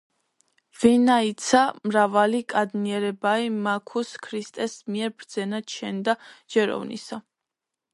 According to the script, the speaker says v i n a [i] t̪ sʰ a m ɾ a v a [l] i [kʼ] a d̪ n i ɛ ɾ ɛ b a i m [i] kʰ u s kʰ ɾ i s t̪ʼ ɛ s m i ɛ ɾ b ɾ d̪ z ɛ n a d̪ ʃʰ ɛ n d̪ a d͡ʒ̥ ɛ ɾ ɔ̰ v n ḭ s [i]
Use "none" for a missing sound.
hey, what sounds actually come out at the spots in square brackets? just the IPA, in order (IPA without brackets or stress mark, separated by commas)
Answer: i, l, kʼ, a, a